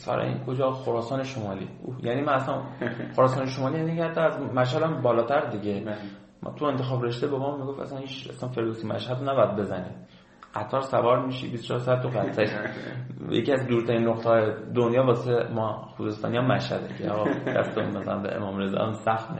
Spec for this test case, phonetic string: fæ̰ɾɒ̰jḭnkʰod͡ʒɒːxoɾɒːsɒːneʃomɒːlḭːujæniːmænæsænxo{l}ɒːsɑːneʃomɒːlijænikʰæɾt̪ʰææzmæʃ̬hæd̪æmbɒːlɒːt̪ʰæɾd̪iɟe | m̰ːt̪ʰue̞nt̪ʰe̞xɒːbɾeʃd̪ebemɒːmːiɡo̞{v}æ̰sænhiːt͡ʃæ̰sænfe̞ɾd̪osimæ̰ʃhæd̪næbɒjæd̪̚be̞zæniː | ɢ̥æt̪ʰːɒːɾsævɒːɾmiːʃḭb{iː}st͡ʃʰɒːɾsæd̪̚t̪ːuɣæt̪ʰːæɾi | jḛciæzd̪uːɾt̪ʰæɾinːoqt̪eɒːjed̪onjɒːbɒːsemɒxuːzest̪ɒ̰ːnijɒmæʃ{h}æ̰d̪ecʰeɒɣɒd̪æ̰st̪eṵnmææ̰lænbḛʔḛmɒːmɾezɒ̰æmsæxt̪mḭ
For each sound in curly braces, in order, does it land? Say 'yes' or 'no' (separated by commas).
no, no, no, yes